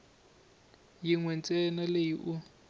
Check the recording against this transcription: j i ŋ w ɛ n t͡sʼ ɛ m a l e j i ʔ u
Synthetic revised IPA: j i ŋ w ɛ n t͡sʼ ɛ n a l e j i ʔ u